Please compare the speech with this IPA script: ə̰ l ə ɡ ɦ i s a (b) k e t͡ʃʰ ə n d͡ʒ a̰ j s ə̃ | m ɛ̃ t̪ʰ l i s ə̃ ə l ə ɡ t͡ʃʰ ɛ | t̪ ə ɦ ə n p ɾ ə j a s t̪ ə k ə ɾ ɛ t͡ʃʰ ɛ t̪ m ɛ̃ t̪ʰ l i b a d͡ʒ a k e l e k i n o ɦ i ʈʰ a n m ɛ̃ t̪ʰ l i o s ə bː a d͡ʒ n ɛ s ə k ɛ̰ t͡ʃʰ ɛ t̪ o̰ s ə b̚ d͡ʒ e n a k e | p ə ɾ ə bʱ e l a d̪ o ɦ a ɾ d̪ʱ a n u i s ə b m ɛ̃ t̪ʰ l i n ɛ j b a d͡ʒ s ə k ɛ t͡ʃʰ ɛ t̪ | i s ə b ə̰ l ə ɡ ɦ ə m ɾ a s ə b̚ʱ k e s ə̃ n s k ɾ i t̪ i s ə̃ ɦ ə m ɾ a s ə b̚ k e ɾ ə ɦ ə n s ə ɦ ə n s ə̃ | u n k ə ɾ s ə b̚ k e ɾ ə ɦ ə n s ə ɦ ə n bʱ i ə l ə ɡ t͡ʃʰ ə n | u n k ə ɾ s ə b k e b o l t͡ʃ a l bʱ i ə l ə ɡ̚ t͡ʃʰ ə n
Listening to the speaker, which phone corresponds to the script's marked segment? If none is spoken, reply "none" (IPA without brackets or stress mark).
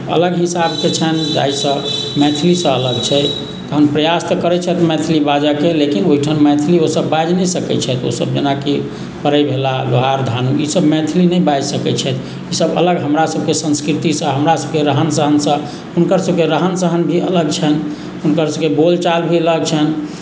b